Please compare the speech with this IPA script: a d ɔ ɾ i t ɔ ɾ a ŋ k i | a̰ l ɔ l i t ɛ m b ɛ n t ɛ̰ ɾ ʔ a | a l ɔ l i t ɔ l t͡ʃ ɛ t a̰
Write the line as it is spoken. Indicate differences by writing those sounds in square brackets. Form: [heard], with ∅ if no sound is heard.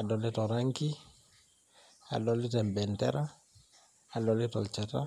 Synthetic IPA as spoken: a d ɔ [l] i t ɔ ɾ a ŋ k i | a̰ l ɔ l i t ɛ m b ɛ n t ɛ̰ ɾ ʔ a | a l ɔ l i t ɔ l t͡ʃ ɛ t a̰